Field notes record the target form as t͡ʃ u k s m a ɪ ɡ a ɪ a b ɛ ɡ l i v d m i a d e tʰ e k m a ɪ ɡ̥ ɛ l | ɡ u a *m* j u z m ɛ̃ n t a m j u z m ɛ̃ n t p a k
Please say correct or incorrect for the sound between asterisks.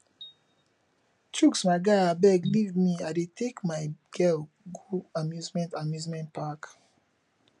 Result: correct